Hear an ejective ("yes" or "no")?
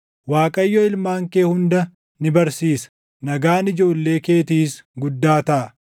yes